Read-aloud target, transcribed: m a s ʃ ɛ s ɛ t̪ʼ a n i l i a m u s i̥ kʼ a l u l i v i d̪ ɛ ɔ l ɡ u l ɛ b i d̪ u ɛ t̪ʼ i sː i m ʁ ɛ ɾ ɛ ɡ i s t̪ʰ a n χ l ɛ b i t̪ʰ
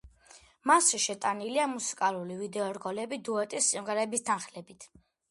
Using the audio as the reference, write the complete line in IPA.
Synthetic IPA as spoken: m a s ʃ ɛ ʃ ɛ t̪ʼ a n i l i a m u s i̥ kʼ a l u l i v i d̪ ɛ ɔ ɾ ɡ ɔ l ɛ b i d̪ u ɛ t̪ʼ i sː i m ʁ ɛ ɾ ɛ b i s t̪ʰ a n χ l ɛ b i t̪ʰ